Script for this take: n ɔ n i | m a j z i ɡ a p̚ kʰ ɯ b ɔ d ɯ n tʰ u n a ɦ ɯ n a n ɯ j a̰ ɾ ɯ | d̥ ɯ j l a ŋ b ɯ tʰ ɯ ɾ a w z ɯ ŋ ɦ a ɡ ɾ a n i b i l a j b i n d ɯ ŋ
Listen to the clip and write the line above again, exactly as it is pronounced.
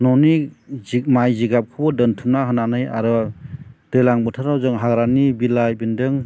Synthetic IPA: n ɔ n i | m a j z i ɡ a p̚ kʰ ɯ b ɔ d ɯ n tʰ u n a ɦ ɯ n a n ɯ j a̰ ɾ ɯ | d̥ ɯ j l a ŋ b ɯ tʰ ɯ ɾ a w z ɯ ŋ ɦ a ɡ ɾ a n i b i l a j b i n d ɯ ŋ